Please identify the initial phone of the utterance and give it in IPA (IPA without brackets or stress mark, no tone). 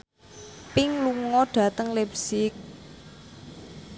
p